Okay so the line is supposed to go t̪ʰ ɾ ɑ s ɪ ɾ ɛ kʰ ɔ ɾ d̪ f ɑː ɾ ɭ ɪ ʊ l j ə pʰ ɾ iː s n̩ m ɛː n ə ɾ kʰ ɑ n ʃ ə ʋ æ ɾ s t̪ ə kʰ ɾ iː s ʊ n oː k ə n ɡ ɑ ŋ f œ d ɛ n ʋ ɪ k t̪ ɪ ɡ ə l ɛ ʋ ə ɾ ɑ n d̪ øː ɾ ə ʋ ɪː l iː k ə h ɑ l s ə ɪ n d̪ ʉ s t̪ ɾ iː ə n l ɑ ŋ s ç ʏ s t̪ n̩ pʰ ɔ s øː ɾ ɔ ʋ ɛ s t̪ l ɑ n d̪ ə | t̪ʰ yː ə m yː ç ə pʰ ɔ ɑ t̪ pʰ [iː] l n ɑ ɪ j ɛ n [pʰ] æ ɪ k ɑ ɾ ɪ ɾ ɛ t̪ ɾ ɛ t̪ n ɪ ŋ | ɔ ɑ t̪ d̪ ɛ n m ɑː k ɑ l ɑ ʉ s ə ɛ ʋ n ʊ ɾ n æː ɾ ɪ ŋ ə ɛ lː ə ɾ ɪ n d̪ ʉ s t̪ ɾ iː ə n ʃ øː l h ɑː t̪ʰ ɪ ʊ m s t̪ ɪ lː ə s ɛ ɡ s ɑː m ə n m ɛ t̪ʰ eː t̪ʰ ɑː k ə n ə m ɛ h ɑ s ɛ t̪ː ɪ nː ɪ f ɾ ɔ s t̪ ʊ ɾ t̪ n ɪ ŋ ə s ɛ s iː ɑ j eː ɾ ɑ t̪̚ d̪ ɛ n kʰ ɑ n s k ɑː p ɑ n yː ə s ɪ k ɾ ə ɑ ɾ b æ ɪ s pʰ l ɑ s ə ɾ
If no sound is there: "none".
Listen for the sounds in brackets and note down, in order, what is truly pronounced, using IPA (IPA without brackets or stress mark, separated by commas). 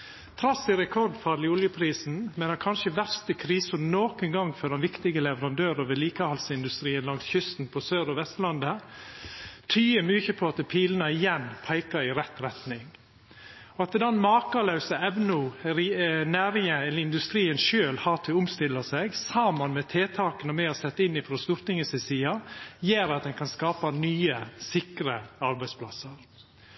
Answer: iː, pʰ